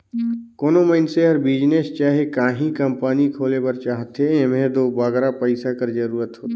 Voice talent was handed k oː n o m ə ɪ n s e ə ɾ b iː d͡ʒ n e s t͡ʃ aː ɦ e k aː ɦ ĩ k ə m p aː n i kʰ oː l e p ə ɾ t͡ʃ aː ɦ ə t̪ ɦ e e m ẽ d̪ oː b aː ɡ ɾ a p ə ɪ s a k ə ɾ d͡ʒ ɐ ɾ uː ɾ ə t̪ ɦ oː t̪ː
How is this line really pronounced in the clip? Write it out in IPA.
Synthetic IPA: k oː n o m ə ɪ n s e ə ɾ b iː d͡ʒ n e s t͡ʃ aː ɦ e k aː ɦ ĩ k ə m p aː n i kʰ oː l e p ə ɾ t͡ʃ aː ɦ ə t̪ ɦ e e m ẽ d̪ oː b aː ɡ ɾ a p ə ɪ s a k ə ɾ d͡ʒ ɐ ɾ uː ɾ ə t̪ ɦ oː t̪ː